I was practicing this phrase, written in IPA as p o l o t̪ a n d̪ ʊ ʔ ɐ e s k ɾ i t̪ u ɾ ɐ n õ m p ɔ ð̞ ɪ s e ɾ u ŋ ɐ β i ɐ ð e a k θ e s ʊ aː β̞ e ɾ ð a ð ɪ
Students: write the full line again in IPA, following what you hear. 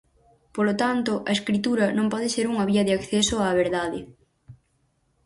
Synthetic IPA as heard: p o l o t̪ a n t̪ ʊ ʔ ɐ e s k ɾ i t̪ u ɾ ɐ n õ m p ɔ ð̞ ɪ s e ɾ u ŋ ɐ β i ɐ ð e a k θ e s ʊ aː β̞ e ɾ ð a ð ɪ